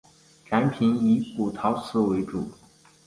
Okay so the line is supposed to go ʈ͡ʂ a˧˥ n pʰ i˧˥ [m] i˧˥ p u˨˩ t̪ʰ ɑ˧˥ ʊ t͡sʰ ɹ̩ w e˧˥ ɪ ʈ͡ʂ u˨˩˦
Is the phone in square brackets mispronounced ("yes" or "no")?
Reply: yes